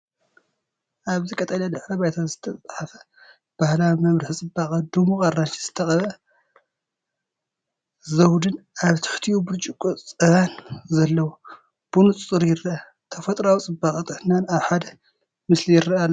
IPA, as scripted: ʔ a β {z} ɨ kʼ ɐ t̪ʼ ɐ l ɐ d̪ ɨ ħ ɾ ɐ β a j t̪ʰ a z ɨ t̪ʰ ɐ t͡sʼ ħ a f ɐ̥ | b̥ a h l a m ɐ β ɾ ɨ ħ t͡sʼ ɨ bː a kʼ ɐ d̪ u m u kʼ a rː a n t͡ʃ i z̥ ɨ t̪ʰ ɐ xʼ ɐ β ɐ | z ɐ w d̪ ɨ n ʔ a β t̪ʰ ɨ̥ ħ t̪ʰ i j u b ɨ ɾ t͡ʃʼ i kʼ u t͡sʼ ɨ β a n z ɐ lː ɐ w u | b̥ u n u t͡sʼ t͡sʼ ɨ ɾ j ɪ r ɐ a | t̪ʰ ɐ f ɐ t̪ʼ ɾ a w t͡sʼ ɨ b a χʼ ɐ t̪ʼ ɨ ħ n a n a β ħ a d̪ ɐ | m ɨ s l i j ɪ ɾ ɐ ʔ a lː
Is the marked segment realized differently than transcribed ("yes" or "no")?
no